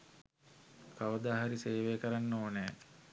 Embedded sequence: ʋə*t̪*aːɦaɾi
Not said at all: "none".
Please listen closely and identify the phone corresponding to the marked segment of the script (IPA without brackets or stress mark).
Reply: d̪